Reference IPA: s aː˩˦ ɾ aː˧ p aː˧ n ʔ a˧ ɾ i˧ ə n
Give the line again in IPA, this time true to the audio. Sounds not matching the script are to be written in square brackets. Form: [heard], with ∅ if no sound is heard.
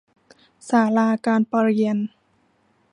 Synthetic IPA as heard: s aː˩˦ [l] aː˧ [k] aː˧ n [p] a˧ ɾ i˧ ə n